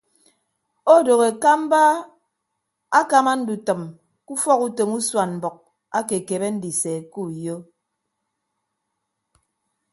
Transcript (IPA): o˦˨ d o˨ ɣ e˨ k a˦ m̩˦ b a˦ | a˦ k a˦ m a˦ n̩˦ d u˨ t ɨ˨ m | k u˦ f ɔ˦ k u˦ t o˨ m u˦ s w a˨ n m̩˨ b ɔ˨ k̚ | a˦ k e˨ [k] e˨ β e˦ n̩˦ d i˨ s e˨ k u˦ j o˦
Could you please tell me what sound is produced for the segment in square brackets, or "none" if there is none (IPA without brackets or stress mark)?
k